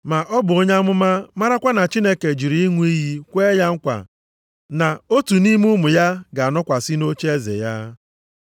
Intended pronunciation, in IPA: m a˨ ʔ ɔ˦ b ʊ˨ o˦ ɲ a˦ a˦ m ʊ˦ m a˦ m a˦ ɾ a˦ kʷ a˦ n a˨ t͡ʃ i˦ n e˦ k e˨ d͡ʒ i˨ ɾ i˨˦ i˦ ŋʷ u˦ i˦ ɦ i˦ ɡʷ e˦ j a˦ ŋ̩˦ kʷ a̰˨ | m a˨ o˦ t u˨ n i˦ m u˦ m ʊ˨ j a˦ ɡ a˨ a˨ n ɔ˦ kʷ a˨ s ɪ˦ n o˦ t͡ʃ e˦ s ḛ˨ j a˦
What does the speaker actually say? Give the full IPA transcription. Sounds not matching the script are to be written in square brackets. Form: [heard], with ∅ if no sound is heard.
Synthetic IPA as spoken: m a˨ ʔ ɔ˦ b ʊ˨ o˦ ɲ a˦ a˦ m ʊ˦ m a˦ m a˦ ɾ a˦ kʷ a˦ n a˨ t͡ʃ i˦ n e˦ k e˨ d͡ʒ i˨ ɾ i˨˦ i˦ ŋʷ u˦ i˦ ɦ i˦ [kʷ] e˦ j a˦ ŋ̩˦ kʷ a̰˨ | [n] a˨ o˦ t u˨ n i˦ m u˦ m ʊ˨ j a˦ ɡ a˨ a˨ n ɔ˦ kʷ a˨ s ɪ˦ n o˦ t͡ʃ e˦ [z] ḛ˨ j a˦